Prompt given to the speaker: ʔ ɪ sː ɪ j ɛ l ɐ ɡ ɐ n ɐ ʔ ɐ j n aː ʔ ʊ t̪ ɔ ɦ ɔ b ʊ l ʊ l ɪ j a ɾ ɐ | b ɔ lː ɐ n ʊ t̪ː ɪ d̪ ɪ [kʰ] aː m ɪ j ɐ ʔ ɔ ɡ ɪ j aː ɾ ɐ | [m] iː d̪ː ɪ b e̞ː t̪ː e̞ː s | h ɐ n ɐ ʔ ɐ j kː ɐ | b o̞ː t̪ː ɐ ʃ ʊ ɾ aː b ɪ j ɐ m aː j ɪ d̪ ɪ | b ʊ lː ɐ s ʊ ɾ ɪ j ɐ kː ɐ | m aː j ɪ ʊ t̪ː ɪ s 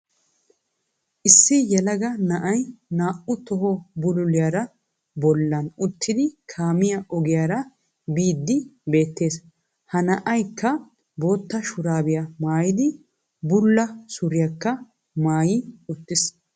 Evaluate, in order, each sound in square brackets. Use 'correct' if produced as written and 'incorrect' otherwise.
correct, incorrect

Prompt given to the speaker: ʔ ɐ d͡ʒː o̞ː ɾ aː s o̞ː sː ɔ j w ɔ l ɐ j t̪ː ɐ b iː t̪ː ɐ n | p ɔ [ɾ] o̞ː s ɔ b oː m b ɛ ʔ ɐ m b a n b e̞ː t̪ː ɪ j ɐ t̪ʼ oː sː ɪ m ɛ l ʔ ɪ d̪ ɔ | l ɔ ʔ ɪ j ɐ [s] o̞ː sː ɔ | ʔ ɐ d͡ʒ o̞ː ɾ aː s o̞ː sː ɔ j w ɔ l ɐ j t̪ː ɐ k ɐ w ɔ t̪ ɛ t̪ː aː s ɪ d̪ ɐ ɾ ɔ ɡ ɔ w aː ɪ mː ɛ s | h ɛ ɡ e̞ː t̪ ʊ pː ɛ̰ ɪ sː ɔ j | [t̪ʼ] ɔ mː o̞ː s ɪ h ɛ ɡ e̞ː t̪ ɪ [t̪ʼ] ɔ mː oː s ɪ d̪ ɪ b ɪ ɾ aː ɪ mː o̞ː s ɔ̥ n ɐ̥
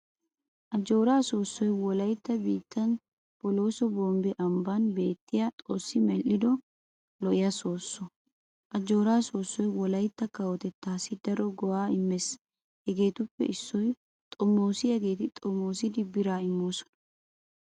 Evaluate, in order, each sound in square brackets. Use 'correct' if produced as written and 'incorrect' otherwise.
incorrect, correct, correct, correct

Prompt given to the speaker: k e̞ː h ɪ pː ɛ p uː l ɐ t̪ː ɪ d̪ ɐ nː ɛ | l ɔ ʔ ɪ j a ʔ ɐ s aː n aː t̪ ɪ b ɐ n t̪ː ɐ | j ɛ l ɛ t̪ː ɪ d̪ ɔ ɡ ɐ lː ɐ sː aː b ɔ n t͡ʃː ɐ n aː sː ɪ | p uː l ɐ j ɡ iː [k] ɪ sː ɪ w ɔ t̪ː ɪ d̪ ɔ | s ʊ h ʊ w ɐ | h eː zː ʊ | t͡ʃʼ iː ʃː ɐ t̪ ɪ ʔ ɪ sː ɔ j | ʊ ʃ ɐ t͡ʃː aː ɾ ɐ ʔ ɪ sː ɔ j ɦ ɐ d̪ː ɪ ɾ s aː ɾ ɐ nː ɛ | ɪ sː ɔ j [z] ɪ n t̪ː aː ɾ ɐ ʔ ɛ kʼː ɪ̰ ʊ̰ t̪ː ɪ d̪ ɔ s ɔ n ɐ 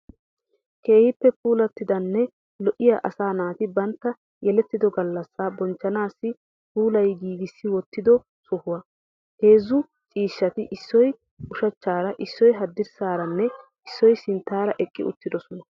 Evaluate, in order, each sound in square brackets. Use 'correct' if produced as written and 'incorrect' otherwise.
incorrect, incorrect

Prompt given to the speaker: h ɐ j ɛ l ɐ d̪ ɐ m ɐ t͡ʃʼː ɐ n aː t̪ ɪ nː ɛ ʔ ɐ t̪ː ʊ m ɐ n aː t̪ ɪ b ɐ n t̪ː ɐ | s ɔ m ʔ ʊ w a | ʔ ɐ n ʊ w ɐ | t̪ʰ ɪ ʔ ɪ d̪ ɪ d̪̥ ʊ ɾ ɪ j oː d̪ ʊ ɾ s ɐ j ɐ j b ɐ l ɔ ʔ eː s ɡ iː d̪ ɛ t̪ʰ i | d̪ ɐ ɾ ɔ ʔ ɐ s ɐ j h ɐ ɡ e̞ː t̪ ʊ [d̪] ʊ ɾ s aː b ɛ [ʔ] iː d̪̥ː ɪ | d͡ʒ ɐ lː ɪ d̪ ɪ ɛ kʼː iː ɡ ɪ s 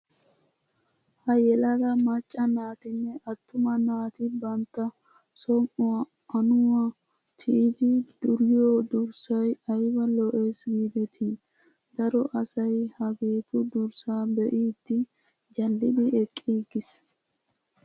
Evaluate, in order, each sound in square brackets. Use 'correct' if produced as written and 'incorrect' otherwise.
correct, correct

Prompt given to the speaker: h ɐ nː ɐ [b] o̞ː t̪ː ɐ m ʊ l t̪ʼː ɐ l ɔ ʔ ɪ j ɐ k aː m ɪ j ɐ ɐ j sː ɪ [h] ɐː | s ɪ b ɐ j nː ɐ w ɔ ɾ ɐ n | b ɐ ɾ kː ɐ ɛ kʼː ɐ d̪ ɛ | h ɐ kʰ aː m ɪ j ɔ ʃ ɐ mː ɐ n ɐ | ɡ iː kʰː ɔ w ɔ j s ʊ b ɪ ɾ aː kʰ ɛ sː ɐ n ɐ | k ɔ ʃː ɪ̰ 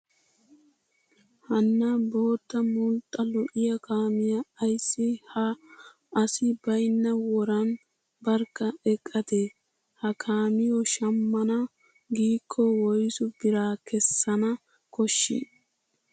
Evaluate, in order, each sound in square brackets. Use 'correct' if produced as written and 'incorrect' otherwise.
correct, correct

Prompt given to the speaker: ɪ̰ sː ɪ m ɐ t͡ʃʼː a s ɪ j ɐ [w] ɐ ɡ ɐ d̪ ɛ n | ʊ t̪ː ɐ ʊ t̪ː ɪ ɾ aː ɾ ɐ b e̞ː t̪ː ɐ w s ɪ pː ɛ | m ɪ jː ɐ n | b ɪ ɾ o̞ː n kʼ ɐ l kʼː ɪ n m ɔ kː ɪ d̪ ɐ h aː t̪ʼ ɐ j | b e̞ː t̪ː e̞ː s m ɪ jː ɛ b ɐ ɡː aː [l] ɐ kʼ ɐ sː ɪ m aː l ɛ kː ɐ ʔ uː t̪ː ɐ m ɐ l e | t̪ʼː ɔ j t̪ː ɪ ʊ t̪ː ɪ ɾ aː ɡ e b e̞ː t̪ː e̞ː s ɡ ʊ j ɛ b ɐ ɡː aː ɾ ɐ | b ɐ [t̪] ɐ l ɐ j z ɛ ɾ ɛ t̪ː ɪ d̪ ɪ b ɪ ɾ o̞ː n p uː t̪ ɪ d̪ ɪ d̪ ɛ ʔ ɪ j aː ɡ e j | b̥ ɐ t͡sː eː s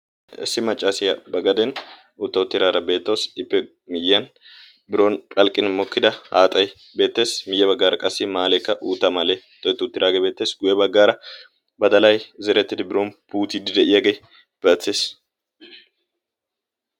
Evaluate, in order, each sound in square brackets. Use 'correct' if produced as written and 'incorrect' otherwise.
incorrect, incorrect, incorrect

